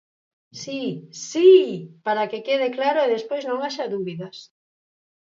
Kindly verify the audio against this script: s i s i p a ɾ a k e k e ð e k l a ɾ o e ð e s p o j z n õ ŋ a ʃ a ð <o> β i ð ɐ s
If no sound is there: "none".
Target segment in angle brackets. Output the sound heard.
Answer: u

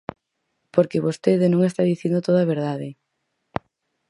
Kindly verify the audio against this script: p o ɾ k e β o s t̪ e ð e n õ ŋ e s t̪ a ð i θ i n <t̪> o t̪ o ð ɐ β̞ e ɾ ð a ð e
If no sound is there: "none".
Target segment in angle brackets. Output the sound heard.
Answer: d̪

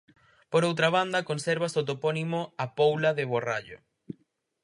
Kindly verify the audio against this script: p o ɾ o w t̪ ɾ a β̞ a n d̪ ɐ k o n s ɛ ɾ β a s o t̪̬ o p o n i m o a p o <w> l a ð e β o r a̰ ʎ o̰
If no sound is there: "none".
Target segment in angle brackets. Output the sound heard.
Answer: w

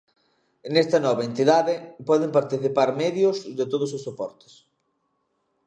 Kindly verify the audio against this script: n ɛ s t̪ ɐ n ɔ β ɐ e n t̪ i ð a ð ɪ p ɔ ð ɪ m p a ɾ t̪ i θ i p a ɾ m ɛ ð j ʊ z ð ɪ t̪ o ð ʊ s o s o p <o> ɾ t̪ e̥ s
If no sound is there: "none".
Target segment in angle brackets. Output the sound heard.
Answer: ɔ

